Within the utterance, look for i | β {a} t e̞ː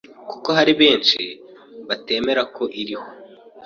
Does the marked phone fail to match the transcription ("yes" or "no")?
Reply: no